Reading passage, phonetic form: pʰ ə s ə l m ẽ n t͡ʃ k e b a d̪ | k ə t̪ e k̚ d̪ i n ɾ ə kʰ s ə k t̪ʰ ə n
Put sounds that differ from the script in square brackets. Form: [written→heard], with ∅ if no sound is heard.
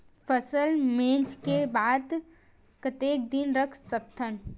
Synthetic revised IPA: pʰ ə s ə l m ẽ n t͡ʃ k e b a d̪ | k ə t̪ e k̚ d̪ i n ɾ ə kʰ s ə k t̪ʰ ə n

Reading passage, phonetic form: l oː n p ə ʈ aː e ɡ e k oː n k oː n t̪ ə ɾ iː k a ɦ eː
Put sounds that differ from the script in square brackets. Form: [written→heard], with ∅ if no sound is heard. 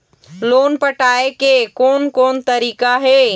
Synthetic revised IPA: l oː n p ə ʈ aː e [ɡ→k] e k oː n k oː n t̪ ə ɾ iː k a ɦ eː

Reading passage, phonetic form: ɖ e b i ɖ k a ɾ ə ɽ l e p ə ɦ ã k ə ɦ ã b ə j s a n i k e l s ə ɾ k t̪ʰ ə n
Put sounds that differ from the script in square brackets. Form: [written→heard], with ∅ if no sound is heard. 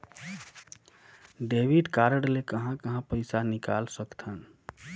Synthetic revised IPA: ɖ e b i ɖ k a ɾ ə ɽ l e [p→k] ə ɦ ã k ə ɦ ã [b→p] ə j s a n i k [e→a] l s ə [ɾ→∅] k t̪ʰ ə n

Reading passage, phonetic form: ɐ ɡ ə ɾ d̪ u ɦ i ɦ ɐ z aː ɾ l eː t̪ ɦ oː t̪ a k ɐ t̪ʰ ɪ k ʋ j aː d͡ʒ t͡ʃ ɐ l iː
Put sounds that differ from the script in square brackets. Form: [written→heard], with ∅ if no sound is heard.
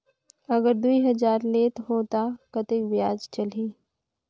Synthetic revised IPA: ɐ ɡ ə ɾ d̪ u [ɦ→∅] i ɦ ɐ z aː ɾ l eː t̪ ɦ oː t̪ a k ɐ [t̪ʰ→t̪] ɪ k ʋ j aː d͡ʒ t͡ʃ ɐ l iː

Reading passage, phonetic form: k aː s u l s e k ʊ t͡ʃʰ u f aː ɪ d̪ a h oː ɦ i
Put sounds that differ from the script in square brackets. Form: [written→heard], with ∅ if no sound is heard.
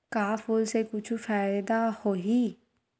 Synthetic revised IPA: k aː [s→f] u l s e k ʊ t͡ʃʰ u f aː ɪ d̪ a h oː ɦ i

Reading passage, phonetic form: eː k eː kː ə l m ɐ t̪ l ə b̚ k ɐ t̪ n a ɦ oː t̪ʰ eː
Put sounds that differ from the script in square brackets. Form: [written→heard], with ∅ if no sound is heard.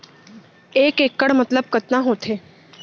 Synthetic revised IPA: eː k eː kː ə [l→ɽ] m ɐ t̪ l ə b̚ k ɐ t̪ n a ɦ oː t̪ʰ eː

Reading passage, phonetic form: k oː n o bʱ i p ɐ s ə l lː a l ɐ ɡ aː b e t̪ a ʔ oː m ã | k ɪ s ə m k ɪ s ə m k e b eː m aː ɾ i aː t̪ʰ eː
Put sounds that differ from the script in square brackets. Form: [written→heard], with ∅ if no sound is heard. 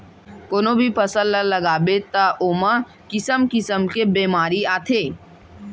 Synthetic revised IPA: k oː n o bʱ i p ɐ s ə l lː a l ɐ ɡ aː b e t̪ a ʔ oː m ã | k ɪ s ə m k ɪ s ə m k e b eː m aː ɾ i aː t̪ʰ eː

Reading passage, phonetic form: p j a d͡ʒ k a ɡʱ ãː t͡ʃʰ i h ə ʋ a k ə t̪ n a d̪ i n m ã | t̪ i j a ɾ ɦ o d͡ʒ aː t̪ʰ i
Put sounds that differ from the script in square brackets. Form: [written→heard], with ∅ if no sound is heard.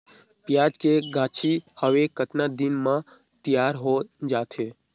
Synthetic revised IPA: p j a d͡ʒ k [a→e] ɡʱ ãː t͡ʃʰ i h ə ʋ [a→e] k ə t̪ n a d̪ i n m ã | t̪ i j a ɾ ɦ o d͡ʒ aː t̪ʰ [i→e]

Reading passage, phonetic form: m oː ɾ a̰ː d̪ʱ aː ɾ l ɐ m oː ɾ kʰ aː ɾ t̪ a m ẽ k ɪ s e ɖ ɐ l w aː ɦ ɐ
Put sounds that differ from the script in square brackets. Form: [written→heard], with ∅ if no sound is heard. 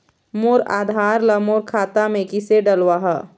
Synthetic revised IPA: m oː ɾ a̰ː d̪ʱ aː ɾ l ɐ m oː ɾ kʰ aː [ɾ→∅] t̪ a m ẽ k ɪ s e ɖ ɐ l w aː ɦ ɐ

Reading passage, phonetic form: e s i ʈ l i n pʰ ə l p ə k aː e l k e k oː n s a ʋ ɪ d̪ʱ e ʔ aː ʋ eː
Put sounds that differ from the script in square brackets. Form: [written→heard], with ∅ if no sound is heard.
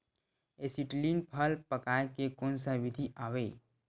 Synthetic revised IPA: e s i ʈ l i n pʰ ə l p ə k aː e [l→∅] k e k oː n s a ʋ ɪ d̪ʱ [e→i] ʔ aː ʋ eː

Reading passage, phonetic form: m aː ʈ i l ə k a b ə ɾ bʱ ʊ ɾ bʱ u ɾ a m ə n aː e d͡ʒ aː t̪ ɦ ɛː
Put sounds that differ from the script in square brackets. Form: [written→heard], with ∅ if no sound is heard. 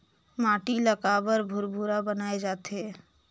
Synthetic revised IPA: m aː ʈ i l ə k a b ə ɾ bʱ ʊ ɾ bʱ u ɾ a [m→b] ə n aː e d͡ʒ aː t̪ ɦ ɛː

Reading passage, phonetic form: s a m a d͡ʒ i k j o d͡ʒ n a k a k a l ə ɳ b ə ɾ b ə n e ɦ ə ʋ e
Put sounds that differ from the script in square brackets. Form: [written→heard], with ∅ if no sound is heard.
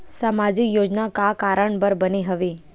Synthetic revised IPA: s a m a d͡ʒ i k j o d͡ʒ n a k a k a [l→ɾ] ə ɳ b ə ɾ b ə n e ɦ ə ʋ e

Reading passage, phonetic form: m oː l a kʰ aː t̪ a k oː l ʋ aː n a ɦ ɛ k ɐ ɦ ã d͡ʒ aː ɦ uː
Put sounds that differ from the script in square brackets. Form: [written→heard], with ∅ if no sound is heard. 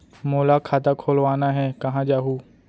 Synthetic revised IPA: m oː l a kʰ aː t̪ a [k→kʰ] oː l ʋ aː n a ɦ ɛ k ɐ ɦ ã d͡ʒ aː ɦ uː

